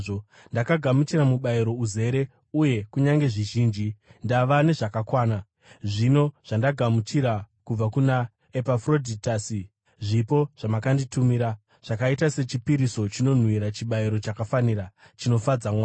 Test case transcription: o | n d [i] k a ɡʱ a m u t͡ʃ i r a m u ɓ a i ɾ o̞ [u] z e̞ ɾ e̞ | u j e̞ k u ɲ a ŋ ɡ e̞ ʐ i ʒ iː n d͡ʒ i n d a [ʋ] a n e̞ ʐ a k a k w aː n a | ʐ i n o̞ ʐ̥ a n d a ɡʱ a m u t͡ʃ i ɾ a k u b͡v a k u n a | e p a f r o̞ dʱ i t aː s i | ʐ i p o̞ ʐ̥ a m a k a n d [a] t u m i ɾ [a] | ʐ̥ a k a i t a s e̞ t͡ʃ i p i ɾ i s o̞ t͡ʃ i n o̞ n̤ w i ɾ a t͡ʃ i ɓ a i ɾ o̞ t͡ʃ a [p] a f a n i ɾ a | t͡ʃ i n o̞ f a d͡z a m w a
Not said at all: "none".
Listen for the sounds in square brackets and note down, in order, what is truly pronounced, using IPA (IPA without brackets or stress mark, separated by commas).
a, u, ʋ, i, a, k